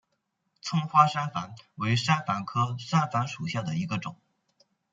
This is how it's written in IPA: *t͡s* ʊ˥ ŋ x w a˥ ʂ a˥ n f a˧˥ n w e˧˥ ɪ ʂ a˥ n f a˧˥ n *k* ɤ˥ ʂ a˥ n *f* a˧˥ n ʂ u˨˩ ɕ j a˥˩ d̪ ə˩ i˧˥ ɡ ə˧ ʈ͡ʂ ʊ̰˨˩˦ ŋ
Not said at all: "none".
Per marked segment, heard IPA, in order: t͡sʰ, kʰ, f

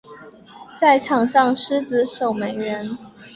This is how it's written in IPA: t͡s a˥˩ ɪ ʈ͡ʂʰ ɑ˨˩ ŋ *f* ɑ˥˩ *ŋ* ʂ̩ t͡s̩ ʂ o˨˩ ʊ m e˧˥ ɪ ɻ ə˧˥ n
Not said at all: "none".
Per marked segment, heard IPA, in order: ʂ, ŋ

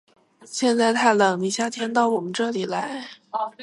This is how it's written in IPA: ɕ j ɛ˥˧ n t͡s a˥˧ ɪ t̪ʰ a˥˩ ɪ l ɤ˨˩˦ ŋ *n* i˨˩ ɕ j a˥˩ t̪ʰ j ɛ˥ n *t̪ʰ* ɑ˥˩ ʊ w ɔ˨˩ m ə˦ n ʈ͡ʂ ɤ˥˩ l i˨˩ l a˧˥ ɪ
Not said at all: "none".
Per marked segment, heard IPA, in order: n, t̪

